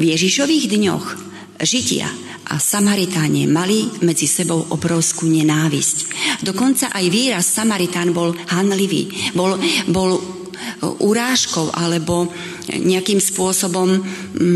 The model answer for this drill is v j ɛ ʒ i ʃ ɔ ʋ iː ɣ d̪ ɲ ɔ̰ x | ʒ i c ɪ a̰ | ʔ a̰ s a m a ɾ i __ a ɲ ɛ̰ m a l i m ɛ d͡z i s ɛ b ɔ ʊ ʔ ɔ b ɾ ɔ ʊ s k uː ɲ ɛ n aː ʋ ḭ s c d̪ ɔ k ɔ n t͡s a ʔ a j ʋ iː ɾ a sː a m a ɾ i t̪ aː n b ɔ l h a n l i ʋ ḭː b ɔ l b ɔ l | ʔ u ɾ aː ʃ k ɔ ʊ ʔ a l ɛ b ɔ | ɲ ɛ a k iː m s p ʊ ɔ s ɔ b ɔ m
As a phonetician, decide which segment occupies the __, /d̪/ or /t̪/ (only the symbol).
t̪